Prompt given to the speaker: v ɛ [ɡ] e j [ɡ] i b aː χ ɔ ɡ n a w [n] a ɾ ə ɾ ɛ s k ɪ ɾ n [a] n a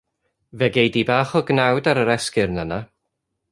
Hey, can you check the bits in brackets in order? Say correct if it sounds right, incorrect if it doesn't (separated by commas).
correct, incorrect, incorrect, incorrect